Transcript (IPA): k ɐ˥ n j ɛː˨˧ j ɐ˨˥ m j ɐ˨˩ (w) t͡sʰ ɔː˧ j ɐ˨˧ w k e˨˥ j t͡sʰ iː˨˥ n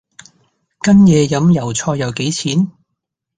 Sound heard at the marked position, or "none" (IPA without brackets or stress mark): w